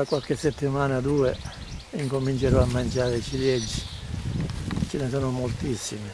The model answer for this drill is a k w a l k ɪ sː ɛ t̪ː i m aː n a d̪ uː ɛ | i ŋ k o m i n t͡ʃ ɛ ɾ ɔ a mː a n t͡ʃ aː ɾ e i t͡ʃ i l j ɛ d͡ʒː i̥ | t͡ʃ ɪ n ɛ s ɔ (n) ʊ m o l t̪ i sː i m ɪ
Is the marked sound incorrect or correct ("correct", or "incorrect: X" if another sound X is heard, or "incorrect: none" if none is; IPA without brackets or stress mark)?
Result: correct